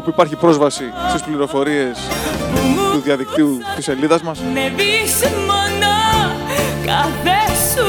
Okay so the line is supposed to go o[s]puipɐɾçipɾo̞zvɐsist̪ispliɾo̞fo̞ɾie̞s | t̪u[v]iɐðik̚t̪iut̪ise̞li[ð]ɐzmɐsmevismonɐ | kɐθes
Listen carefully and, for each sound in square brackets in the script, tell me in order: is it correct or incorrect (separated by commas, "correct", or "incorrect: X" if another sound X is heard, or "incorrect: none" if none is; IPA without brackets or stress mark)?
incorrect: none, incorrect: ð, correct